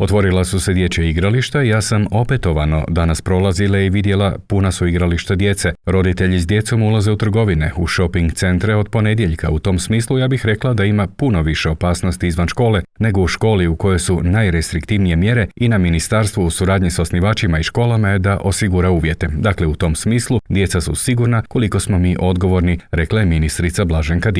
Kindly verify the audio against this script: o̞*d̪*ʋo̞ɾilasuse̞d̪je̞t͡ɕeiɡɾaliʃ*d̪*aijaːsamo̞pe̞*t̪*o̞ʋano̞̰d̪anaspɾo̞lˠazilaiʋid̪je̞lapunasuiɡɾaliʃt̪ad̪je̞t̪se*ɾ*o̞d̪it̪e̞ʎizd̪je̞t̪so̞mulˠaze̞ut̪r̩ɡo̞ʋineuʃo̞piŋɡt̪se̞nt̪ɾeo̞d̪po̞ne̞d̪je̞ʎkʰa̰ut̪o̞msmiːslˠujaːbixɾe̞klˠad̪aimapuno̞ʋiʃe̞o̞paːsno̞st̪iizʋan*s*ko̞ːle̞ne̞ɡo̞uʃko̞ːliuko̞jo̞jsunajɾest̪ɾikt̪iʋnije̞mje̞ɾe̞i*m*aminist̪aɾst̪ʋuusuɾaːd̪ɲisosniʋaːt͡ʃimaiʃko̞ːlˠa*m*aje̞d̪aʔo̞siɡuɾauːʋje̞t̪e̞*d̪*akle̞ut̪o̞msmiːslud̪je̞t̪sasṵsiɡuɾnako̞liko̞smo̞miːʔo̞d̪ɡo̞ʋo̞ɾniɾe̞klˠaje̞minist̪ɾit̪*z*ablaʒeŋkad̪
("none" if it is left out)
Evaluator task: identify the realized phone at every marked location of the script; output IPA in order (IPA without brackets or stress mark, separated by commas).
t̪, t̪, t̪, ɾ, ʃ, n, m, d̪, s